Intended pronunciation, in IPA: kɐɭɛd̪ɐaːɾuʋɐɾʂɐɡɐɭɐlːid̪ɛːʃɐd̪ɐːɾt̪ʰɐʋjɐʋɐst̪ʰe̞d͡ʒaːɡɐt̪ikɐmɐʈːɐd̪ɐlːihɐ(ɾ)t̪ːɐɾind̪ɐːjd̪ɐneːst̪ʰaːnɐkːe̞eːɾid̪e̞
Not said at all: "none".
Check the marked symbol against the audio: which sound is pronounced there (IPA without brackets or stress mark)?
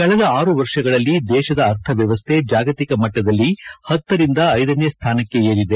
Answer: none